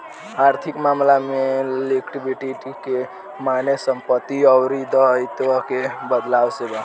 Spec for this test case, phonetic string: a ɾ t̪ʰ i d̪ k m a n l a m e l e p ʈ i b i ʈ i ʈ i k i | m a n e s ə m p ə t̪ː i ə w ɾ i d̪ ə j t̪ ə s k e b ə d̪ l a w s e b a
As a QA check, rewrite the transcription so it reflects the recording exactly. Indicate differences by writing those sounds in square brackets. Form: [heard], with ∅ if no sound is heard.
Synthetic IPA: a ɾ t̪ʰ i [∅] k m a [m] l a m e l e [k] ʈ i b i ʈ i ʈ i k [e] | m a n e s ə m p ə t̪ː i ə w ɾ i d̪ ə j t̪ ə [∅] k e b ə d̪ l a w s e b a